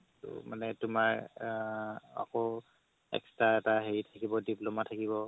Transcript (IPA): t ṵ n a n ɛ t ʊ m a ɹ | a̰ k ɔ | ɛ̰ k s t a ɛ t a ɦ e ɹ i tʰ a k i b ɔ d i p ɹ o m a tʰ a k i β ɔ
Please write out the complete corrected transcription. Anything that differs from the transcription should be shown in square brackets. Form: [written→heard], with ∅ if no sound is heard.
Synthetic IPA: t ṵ [n→m] a n ɛ t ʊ m a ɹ | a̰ k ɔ | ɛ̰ k s t a ɛ t a ɦ e ɹ i tʰ a k i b ɔ d i p [ɹ→l] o m a tʰ a k i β ɔ